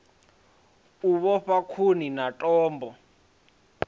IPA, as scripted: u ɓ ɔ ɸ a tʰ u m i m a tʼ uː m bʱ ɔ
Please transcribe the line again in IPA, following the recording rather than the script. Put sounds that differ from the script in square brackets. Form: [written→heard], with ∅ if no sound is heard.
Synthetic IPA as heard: u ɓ ɔ ɸ a [tʰ→kʰ] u [m→n] i [m→n] a tʼ [uː→ɔː] m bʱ ɔ